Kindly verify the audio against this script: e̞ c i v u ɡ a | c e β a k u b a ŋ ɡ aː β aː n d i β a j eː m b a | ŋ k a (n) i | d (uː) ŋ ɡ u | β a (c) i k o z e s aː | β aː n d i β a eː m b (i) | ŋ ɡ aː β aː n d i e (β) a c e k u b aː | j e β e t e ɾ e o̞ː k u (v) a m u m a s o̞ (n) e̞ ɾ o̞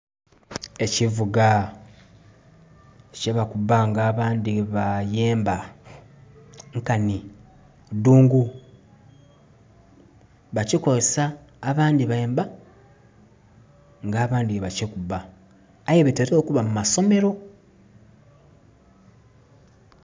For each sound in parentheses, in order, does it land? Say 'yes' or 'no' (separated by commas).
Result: yes, yes, yes, no, yes, no, no